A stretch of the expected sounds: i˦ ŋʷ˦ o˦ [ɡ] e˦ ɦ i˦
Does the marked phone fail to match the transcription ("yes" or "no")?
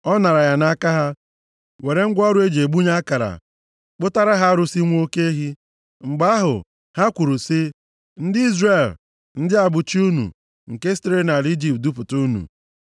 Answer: yes